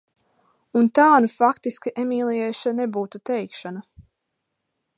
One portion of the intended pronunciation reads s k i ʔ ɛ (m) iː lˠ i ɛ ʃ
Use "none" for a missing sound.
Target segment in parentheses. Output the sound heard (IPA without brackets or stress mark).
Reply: m